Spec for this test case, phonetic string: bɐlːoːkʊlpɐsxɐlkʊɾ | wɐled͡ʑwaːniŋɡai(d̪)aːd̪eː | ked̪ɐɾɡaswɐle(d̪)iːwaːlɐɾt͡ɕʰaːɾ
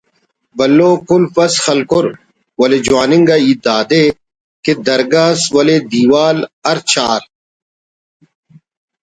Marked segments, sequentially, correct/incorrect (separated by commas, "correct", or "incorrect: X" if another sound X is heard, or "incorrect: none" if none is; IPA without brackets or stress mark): correct, correct